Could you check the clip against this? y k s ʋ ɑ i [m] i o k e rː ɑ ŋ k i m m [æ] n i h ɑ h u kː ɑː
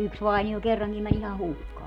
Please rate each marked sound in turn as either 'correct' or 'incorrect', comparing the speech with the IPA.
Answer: incorrect: n, correct

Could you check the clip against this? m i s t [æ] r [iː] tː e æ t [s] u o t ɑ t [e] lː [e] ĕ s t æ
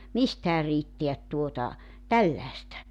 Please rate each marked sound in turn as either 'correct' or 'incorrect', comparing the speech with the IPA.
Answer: incorrect: æː, correct, incorrect: t, incorrect: æ, incorrect: æ

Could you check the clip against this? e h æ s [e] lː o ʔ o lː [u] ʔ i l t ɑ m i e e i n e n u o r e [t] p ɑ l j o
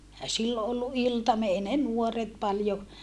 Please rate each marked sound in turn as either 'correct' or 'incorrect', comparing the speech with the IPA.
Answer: incorrect: i, correct, correct

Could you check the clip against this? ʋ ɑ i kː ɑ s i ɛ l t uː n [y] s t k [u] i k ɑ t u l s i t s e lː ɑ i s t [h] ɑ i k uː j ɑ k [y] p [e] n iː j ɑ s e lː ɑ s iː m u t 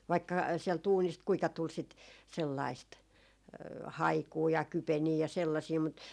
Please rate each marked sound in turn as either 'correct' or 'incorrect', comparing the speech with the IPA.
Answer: incorrect: i, correct, correct, correct, correct

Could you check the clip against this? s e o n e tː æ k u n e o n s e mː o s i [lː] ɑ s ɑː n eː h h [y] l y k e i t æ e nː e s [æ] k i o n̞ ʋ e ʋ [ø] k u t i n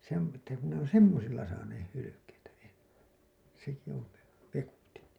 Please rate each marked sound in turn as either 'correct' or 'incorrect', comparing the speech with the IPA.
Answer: correct, correct, incorrect: e, incorrect: e

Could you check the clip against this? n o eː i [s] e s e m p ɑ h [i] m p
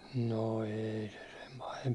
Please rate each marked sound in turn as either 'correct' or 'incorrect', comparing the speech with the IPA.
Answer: correct, incorrect: e

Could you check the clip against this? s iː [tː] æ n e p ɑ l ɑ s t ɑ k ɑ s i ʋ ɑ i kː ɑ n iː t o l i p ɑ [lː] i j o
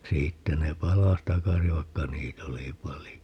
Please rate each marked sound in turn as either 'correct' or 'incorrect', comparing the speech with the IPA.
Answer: correct, incorrect: l

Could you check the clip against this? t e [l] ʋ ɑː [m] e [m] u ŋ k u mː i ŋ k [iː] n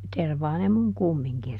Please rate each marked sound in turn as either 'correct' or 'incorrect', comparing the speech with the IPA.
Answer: incorrect: r, incorrect: n, correct, incorrect: i

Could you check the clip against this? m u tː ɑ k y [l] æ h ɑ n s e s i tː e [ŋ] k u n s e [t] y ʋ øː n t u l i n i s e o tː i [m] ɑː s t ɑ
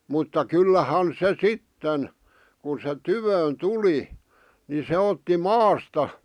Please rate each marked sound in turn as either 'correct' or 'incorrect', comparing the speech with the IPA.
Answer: incorrect: lː, incorrect: n, correct, correct

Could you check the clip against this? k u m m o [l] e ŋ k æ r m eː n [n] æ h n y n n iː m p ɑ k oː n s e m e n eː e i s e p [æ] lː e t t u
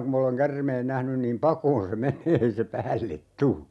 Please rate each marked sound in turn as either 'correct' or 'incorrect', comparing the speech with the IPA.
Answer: correct, correct, incorrect: æː

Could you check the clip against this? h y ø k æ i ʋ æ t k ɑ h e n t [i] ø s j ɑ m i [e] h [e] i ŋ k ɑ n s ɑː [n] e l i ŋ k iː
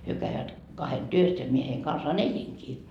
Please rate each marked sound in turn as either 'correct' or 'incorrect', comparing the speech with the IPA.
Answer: incorrect: y, correct, correct, correct

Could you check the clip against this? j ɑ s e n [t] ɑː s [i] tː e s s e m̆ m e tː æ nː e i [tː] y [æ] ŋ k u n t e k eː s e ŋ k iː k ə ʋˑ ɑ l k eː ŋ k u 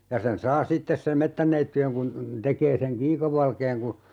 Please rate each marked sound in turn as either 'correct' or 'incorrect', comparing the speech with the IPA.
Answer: incorrect: s, correct, correct, incorrect: e

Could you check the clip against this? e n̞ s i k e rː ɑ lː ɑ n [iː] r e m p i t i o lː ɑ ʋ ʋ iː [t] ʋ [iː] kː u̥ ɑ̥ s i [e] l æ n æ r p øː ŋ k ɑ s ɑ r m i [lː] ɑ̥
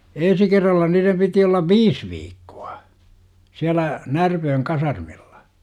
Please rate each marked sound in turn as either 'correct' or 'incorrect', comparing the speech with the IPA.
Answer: correct, incorrect: s, correct, incorrect: æ, correct

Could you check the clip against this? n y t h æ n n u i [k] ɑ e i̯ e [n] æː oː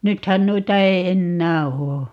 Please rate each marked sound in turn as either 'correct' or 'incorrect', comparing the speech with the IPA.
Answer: incorrect: t, incorrect: nː

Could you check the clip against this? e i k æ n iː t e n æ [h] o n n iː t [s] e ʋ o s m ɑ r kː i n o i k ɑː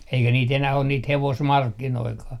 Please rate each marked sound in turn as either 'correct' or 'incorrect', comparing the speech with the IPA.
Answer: correct, incorrect: h

